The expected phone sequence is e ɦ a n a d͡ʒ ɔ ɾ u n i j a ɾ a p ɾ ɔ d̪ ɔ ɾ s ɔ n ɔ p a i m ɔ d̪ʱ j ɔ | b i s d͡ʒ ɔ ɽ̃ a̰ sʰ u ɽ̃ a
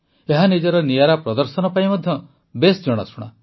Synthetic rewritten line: e ɦ a n i d͡ʒ ɔ ɾ ɔ n i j a ɾ a p ɾ ɔ d̪ ɔ ɾ s ɔ n ɔ p a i m ɔ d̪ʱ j ɔ | b e s d͡ʒ ɔ ɽ̃ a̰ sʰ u ɽ̃ a